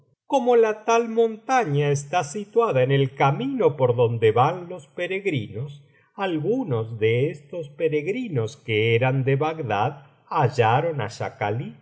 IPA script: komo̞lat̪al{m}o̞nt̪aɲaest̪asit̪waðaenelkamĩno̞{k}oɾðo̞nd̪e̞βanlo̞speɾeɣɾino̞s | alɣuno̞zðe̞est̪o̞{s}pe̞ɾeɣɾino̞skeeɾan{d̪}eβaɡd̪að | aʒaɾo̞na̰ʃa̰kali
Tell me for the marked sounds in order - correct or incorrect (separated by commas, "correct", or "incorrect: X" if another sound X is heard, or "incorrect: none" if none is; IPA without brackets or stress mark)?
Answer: correct, incorrect: p, correct, correct